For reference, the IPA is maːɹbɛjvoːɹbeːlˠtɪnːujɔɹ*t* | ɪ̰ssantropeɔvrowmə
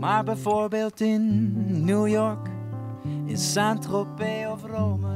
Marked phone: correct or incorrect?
incorrect